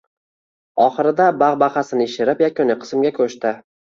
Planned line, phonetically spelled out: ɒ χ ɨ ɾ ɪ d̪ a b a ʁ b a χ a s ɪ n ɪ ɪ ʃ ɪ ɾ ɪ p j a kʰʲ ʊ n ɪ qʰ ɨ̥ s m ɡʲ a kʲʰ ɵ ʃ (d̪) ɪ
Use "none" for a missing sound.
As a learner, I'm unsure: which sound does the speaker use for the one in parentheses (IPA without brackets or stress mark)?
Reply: t̪